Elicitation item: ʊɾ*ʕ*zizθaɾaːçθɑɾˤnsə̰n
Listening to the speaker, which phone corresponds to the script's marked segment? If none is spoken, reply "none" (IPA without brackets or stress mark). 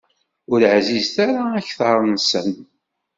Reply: ʕ